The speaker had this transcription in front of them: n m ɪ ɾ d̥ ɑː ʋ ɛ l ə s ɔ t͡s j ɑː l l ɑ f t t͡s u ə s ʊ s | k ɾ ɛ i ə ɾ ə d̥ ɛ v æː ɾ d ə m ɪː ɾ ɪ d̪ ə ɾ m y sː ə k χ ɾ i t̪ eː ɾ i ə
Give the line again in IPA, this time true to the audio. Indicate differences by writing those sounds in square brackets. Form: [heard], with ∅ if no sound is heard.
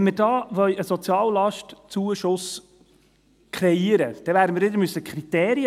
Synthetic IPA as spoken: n m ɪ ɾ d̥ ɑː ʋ [œ] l ə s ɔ t͡s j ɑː l l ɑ [ʃ] t t͡s u ə [ʃ] ʊ s | k ɾ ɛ i ə ɾ ə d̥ ɛ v æː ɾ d ə m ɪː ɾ ɪ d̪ ə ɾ m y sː ə k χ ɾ i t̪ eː ɾ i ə